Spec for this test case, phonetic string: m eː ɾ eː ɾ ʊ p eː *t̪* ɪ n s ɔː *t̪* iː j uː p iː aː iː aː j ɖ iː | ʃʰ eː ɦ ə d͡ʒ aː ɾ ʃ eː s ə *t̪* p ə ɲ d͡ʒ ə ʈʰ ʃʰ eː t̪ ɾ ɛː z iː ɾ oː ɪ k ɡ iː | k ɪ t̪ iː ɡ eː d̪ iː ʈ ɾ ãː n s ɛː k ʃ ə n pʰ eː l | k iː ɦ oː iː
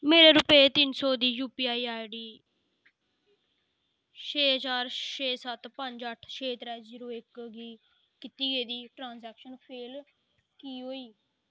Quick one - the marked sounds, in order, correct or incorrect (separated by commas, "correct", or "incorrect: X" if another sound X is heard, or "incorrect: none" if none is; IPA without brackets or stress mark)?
correct, incorrect: d̪, correct